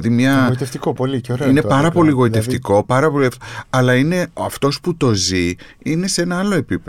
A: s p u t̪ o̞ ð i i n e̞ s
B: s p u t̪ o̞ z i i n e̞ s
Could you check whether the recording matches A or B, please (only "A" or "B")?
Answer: B